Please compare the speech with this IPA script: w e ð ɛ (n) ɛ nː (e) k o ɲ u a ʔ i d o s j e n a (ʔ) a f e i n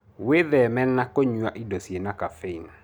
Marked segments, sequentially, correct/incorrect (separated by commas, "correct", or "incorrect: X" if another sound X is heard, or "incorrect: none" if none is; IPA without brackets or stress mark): incorrect: m, incorrect: a, incorrect: k